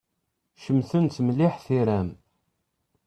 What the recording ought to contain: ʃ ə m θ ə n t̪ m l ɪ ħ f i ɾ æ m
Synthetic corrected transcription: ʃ ə m θ ə n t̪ m l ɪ ħ θ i ɾ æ m